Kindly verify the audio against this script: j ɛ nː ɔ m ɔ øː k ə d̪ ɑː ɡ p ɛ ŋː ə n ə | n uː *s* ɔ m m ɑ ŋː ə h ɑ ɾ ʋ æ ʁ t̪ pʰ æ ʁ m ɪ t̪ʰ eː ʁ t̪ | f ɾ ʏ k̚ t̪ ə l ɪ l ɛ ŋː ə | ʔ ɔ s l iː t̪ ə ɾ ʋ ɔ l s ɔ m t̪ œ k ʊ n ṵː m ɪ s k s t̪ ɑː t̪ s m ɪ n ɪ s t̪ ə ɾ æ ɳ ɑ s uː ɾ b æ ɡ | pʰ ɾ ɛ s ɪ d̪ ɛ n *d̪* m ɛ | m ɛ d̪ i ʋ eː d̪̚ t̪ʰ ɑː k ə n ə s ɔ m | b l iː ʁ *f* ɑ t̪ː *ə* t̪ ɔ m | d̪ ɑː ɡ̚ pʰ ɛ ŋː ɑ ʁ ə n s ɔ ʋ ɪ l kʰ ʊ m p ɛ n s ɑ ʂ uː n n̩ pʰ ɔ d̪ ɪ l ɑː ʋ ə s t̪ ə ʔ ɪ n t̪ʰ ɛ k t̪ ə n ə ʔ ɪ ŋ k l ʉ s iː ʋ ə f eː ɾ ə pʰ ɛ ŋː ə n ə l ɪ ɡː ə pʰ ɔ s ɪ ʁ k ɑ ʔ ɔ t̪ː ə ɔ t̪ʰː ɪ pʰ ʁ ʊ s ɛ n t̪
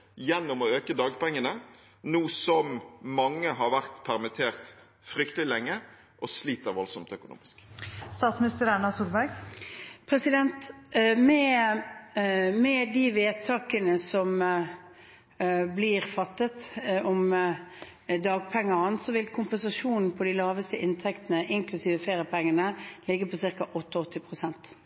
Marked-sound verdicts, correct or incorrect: correct, incorrect, correct, correct

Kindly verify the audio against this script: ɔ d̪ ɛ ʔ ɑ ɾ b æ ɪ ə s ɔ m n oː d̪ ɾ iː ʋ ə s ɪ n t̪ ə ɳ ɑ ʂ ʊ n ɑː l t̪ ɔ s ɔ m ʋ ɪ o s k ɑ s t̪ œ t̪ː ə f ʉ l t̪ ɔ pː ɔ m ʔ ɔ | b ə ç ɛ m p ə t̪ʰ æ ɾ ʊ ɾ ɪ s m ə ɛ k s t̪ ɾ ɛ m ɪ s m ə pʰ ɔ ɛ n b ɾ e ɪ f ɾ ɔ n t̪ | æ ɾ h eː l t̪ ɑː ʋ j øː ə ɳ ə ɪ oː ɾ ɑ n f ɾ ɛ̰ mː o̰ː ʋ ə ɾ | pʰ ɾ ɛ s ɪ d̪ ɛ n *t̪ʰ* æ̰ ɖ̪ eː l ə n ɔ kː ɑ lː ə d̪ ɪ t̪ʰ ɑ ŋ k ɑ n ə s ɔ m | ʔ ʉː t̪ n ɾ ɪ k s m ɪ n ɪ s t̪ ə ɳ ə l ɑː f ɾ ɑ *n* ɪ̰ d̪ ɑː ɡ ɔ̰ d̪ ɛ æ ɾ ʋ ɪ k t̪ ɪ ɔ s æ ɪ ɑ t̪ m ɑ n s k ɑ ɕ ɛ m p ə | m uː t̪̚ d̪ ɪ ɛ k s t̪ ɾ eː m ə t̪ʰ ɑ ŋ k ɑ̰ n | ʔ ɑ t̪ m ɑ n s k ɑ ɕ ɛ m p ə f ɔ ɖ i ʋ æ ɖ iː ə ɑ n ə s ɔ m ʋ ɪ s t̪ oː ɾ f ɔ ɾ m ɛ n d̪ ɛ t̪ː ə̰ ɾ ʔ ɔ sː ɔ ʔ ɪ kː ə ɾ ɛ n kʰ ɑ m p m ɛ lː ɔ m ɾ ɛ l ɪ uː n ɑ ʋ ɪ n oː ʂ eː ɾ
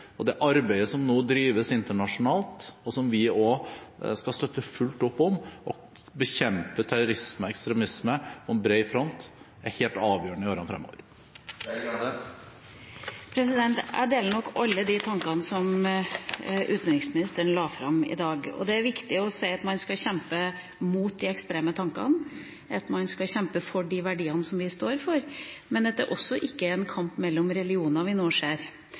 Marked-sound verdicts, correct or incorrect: incorrect, incorrect

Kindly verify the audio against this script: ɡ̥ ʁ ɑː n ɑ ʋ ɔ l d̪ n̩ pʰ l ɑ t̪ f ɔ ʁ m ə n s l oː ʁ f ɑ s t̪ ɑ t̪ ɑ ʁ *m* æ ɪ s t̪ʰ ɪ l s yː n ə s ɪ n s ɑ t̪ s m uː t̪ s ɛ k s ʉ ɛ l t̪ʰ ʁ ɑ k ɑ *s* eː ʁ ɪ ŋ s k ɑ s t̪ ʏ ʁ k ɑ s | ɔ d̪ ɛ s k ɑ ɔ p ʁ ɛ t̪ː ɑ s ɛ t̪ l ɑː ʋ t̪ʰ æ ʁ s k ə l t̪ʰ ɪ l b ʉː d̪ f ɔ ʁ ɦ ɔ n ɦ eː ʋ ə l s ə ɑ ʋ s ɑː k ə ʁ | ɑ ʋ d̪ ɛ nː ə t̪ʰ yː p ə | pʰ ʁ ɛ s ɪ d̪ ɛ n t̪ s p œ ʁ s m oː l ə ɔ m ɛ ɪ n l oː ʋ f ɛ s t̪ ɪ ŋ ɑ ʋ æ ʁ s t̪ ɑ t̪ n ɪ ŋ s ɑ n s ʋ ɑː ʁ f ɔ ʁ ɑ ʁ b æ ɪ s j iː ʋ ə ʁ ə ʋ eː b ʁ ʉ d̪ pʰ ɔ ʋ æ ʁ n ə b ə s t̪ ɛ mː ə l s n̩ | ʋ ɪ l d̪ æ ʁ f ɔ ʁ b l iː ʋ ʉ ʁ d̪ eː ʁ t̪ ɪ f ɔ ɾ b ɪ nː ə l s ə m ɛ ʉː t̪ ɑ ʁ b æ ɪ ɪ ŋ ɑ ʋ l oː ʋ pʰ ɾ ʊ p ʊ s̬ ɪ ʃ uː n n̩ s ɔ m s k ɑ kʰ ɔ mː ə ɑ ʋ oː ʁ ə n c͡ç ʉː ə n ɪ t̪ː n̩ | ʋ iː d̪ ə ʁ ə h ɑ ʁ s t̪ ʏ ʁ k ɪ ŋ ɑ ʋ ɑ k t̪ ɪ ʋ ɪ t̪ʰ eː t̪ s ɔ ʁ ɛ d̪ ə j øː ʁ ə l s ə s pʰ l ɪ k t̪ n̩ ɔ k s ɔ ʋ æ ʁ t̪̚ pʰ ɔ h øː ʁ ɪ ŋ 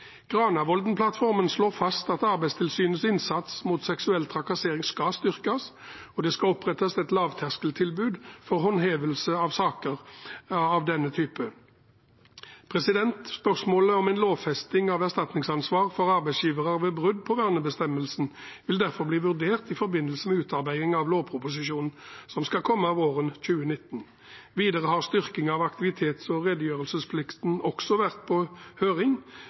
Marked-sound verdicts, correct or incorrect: incorrect, correct

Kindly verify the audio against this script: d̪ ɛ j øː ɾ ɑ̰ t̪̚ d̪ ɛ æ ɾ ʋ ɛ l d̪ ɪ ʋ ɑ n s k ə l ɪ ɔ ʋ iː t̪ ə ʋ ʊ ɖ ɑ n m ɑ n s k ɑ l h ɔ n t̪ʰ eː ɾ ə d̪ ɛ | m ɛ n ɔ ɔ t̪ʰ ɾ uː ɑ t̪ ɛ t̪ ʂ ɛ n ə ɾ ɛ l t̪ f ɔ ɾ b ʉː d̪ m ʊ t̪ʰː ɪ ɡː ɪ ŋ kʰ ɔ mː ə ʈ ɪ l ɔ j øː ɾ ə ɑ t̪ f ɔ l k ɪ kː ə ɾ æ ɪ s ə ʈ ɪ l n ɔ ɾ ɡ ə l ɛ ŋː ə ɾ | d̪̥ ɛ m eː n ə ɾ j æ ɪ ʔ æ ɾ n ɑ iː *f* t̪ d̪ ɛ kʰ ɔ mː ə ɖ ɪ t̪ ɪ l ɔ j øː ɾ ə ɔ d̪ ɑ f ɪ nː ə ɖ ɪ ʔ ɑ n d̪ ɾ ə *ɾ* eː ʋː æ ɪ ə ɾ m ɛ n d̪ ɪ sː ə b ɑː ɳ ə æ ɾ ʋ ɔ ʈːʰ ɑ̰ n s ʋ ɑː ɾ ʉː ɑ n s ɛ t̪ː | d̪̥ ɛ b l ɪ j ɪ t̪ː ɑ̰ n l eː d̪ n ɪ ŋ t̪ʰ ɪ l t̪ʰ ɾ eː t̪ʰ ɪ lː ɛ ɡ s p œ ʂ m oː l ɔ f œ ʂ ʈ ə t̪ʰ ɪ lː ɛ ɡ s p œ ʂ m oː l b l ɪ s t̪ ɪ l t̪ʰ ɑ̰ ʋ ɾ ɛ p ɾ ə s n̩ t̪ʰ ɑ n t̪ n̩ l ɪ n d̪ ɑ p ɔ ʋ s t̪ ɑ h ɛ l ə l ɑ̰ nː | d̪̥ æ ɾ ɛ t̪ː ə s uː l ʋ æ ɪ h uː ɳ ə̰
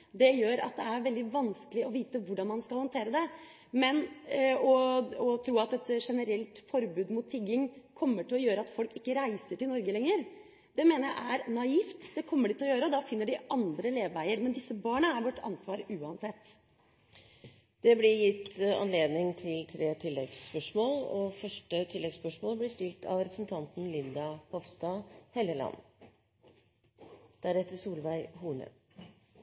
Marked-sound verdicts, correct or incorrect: correct, incorrect

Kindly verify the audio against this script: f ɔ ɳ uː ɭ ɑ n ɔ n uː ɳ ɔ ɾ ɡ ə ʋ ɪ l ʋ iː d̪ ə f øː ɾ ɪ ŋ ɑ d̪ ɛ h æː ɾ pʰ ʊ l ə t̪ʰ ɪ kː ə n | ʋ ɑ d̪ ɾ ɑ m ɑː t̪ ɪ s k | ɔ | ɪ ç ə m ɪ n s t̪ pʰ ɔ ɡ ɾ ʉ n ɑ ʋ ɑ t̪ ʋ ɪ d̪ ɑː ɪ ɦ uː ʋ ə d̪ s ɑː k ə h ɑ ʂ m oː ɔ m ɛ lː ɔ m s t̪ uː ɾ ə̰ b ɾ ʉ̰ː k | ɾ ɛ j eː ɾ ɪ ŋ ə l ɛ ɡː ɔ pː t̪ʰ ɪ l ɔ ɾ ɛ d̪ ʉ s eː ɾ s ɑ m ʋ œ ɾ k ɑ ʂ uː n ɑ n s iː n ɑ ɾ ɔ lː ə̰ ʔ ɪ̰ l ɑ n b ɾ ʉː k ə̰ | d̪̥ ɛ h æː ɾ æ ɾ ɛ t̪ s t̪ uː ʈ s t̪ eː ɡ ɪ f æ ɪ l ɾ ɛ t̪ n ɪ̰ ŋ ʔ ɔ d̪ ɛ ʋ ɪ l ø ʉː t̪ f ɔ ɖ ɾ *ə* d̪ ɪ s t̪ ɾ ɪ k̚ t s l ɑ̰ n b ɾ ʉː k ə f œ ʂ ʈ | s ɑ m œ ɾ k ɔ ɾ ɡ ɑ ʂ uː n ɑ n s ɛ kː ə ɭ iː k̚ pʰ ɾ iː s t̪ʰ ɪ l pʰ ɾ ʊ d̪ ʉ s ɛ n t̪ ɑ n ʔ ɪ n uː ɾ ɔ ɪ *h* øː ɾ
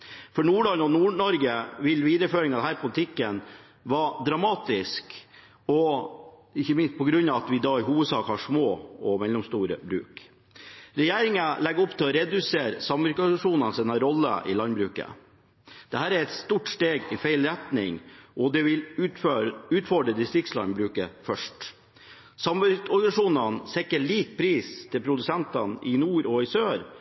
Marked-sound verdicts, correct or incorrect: correct, incorrect

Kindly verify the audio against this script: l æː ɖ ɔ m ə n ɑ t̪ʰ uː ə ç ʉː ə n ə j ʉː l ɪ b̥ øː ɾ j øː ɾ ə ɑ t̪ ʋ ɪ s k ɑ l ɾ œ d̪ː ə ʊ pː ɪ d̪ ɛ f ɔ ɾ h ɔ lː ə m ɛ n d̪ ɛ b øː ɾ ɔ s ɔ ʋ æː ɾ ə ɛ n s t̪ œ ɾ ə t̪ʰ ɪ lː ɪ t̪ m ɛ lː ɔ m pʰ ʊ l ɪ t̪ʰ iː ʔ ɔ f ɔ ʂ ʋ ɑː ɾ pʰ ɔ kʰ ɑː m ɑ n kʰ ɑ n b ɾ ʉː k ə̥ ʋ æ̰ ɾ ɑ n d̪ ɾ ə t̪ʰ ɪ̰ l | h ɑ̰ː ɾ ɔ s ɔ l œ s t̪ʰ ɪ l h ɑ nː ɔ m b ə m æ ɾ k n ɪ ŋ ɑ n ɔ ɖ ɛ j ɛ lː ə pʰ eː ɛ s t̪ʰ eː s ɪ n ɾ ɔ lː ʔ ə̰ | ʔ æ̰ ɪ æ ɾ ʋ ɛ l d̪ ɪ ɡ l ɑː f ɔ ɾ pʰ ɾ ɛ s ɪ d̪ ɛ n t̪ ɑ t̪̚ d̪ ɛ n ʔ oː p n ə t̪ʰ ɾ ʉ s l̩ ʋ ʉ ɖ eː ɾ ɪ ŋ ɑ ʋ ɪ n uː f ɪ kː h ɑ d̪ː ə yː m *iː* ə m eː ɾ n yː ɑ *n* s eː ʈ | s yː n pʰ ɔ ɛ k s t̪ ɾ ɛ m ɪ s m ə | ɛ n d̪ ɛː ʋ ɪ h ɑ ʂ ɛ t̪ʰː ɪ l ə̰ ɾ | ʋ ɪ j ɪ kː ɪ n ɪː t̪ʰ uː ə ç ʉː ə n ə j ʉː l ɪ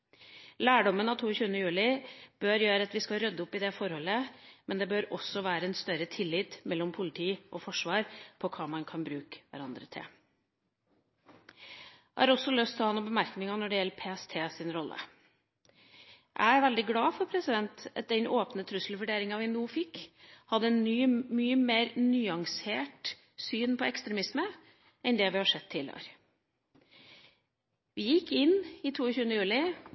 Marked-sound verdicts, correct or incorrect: incorrect, incorrect

